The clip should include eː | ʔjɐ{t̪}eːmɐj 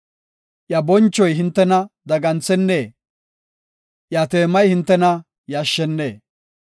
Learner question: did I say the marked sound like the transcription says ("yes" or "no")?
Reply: yes